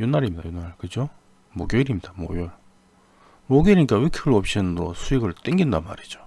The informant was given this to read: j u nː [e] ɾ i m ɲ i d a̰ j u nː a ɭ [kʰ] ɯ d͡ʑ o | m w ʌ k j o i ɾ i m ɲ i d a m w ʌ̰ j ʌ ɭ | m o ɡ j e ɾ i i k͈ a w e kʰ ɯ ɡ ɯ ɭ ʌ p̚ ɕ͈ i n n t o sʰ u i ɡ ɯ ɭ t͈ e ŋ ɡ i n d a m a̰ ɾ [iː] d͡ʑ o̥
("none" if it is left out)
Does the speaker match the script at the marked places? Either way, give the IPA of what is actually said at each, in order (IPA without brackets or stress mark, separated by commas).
a, k, i